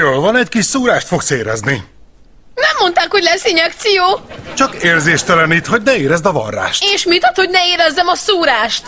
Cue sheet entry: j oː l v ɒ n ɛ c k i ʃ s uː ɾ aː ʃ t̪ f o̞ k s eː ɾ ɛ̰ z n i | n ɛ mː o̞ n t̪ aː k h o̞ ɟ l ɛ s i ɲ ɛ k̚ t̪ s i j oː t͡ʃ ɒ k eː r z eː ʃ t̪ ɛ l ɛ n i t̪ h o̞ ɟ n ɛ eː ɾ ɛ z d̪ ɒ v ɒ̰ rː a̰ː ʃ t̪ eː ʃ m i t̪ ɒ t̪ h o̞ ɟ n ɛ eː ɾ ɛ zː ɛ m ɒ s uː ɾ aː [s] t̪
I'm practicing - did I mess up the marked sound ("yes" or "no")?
yes